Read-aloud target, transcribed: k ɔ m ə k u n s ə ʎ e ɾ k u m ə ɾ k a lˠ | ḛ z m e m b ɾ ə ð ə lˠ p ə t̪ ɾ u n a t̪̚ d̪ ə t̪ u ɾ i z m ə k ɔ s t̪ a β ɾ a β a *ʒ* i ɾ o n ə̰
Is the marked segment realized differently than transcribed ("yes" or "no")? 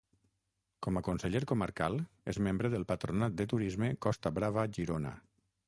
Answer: no